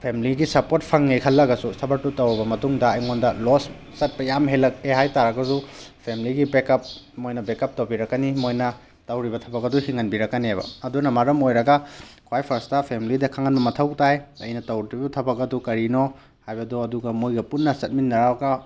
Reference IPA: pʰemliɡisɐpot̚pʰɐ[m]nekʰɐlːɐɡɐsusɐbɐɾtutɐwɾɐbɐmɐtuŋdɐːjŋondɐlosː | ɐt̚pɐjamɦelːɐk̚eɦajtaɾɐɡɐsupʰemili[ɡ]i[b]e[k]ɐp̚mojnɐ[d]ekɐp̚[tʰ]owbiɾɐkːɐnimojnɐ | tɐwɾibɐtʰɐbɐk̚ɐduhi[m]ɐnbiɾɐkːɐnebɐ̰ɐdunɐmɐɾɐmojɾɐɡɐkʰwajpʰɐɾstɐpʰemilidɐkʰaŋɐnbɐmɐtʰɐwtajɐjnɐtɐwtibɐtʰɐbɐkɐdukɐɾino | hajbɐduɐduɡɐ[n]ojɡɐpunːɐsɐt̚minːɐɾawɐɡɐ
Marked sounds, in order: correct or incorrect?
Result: incorrect, correct, correct, correct, incorrect, incorrect, incorrect, incorrect

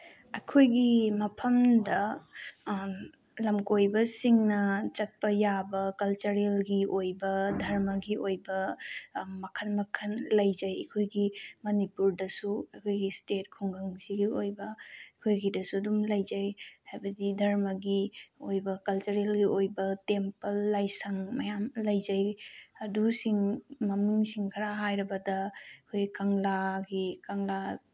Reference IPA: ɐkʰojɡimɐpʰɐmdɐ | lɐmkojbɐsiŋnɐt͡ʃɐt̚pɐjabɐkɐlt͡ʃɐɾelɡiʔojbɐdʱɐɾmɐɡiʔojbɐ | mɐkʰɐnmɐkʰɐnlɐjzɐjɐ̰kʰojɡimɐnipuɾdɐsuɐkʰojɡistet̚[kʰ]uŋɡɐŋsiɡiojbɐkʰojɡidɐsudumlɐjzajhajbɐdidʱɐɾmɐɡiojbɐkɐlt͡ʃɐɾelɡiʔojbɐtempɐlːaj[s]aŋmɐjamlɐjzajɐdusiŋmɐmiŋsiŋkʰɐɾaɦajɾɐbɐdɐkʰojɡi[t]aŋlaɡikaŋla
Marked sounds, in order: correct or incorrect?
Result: correct, correct, incorrect

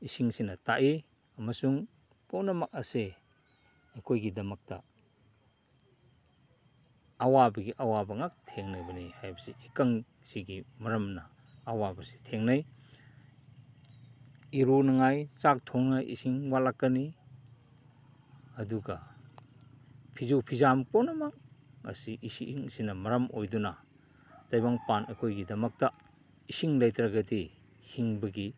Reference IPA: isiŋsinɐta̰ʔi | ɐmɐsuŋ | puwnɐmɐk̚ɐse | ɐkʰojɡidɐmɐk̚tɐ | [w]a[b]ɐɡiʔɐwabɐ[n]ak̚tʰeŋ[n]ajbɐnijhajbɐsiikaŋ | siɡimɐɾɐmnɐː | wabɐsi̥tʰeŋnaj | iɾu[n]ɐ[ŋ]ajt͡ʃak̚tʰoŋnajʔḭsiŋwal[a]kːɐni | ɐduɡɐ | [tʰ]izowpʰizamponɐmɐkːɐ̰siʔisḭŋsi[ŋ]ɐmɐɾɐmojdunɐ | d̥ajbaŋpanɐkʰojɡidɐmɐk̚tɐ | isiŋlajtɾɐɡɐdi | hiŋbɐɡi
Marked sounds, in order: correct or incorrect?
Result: correct, correct, incorrect, correct, correct, correct, correct, incorrect, incorrect

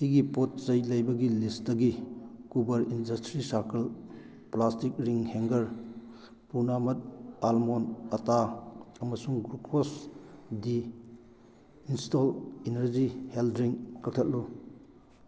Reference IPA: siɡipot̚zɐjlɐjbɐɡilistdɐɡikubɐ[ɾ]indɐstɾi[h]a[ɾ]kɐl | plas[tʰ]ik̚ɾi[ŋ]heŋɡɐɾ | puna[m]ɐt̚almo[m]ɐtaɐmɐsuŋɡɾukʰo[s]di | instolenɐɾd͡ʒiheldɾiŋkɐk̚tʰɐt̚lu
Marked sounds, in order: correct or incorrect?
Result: correct, incorrect, correct, incorrect, correct, correct, incorrect, correct

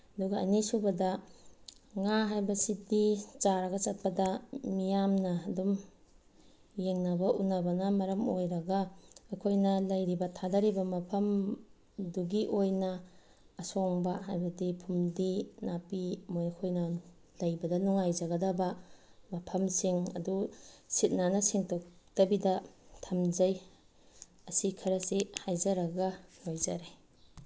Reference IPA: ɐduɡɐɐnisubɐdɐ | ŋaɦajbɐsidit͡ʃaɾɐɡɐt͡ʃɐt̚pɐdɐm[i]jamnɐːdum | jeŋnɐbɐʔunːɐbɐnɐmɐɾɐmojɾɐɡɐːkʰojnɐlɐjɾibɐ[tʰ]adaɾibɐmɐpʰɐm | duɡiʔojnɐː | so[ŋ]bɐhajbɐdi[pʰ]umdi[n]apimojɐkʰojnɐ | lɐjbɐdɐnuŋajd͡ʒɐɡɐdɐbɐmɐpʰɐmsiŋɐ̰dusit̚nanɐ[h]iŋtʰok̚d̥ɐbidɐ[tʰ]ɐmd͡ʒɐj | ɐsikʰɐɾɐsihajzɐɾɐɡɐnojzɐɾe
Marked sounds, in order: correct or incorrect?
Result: correct, correct, correct, correct, correct, incorrect, correct

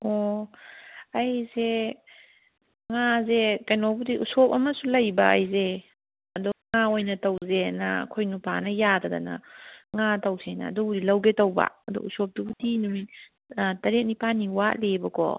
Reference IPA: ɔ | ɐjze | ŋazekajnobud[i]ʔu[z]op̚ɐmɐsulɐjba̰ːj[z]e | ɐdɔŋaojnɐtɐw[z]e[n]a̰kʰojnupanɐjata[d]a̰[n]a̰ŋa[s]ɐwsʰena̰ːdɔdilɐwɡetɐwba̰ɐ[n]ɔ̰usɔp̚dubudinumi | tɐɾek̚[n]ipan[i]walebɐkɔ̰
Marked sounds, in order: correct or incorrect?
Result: correct, incorrect, correct, correct, correct, correct, correct, incorrect, incorrect, correct, correct

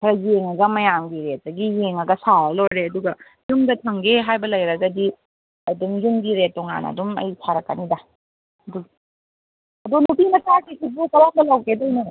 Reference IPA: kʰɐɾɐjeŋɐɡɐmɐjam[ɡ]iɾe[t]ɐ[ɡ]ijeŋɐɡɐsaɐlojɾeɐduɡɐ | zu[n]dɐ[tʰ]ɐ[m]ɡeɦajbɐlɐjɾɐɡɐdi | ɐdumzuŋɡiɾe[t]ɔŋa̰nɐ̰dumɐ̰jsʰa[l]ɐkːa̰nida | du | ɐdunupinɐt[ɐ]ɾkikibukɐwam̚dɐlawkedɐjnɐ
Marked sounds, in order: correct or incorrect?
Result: correct, correct, correct, incorrect, correct, incorrect, correct, incorrect, incorrect

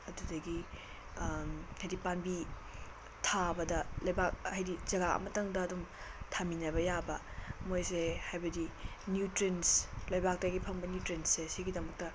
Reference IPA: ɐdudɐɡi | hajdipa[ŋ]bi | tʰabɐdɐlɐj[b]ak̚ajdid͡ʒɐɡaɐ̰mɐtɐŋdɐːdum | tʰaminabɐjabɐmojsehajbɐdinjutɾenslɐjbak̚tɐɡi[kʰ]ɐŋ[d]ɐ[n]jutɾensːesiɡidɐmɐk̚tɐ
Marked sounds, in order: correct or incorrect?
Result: incorrect, correct, incorrect, incorrect, correct

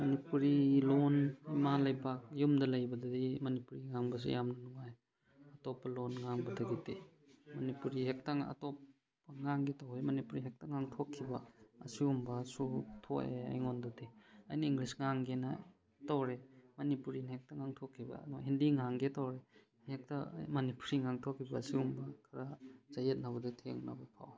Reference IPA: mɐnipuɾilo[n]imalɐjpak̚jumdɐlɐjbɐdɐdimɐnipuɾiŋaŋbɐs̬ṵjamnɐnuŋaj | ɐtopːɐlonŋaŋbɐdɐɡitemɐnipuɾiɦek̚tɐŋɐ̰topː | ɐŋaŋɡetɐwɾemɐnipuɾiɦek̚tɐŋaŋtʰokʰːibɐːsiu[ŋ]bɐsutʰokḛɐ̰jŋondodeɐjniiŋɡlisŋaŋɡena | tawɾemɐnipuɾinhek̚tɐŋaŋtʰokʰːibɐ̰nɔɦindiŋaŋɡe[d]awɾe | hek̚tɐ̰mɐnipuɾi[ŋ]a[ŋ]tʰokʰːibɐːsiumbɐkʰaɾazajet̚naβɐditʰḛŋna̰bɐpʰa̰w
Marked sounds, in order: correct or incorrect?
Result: correct, incorrect, incorrect, correct, correct

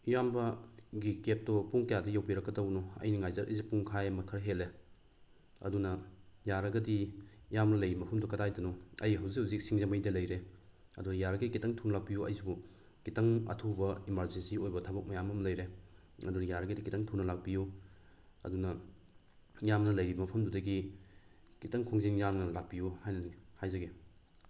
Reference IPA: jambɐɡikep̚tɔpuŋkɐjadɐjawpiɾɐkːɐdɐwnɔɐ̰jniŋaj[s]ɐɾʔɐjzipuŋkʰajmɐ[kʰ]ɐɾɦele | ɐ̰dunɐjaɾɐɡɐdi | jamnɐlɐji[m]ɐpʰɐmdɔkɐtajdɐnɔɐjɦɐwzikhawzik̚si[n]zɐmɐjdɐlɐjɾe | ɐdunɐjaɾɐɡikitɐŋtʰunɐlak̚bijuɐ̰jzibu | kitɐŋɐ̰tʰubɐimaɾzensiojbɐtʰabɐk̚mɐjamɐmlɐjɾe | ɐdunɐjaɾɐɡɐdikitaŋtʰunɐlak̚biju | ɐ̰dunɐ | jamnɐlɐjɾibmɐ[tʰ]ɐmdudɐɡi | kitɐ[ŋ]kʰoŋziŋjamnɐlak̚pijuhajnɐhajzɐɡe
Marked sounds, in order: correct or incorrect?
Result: incorrect, correct, correct, incorrect, incorrect, correct

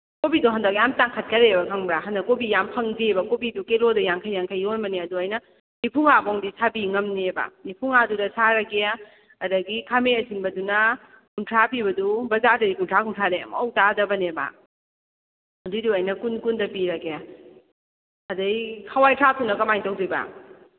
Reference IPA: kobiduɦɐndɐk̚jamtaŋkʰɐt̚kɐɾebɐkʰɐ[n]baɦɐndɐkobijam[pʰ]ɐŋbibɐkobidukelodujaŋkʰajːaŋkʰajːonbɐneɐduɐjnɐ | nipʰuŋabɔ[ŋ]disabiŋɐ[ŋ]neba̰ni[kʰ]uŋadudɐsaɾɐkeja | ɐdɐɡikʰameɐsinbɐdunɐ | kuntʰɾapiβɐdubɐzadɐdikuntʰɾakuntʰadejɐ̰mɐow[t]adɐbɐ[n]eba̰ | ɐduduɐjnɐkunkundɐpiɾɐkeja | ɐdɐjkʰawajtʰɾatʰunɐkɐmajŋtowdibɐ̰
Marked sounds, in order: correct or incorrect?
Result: incorrect, correct, correct, incorrect, incorrect, correct, correct

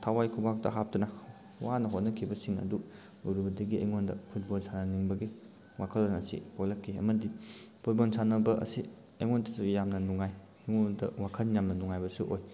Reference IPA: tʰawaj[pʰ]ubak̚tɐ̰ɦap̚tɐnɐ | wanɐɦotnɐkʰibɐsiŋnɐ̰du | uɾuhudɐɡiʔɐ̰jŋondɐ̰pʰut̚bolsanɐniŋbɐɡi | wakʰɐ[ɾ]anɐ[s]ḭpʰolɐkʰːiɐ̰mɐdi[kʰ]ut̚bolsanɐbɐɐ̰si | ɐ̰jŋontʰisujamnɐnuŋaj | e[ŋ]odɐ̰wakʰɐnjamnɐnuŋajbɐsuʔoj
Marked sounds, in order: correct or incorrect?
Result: incorrect, incorrect, correct, incorrect, correct

